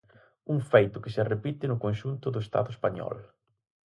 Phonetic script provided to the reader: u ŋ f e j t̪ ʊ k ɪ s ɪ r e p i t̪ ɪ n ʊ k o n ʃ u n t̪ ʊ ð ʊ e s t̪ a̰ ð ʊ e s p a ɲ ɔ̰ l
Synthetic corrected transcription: u ŋ f e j t̪ ʊ k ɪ s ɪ r e p i t̪ ɪ n ʊ k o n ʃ u n t̪ ʊ ð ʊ e s t̪ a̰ ð ʊ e s p a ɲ ɔ̰ l